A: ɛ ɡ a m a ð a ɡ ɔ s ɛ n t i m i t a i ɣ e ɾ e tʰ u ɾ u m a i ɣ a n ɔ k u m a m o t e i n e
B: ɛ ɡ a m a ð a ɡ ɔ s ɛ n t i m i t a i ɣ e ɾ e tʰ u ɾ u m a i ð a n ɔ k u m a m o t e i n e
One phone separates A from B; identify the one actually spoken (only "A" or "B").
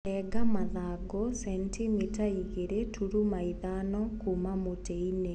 B